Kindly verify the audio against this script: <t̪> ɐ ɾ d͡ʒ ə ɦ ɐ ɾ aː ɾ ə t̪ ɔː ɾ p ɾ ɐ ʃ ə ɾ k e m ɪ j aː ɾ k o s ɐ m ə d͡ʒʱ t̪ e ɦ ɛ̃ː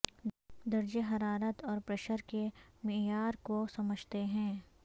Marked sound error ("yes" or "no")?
yes